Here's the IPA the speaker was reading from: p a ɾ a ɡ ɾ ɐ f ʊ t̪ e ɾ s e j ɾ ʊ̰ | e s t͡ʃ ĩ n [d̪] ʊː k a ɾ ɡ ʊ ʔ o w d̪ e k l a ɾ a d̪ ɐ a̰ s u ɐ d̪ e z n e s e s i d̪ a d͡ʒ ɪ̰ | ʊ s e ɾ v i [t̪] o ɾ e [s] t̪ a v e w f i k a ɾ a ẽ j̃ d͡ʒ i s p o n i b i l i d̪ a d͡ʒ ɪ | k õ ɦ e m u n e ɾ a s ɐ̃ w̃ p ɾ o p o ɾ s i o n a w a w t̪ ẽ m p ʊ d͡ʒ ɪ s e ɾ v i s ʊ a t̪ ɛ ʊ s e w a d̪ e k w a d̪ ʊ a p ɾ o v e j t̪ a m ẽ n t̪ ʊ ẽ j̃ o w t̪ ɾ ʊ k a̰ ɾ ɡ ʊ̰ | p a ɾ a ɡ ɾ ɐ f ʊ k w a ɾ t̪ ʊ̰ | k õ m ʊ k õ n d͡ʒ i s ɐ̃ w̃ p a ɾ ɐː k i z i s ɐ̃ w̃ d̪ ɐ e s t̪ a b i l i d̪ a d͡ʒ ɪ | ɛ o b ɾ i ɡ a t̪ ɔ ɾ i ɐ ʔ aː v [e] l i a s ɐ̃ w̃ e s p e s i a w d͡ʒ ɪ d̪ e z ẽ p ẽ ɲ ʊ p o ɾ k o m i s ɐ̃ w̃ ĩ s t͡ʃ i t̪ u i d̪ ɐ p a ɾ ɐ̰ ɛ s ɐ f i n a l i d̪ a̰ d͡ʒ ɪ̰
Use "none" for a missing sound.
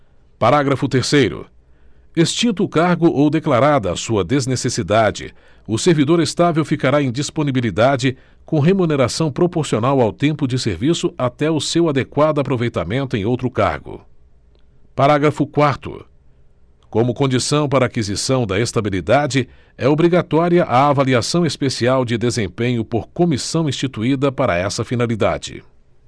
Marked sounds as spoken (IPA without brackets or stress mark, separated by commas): t̪, d̪, s, a